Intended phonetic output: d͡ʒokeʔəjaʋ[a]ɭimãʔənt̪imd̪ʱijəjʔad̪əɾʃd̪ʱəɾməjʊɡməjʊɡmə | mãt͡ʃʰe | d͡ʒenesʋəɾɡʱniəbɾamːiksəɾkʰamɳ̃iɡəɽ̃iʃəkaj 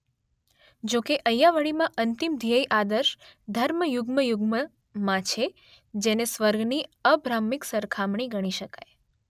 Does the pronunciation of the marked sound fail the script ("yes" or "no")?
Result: yes